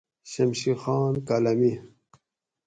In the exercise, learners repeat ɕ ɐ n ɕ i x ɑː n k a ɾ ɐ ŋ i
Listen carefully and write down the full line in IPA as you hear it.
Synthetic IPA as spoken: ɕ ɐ m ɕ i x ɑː n k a l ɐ m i